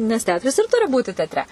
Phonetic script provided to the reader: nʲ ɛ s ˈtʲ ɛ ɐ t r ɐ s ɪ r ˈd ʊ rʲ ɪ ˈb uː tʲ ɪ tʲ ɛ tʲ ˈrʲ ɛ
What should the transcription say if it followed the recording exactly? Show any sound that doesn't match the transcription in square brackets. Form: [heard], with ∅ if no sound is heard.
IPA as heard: nʲ ɛ s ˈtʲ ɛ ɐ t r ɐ s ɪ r [ˈt] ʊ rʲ ɪ ˈb uː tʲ ɪ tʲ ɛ tʲ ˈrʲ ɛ